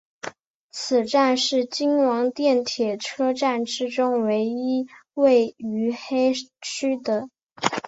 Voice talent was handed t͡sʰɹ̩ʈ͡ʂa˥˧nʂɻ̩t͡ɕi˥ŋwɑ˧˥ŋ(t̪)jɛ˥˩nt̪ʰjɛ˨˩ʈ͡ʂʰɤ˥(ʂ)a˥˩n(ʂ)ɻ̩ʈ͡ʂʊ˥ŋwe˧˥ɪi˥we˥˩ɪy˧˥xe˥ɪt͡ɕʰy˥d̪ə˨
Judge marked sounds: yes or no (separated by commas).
yes, no, no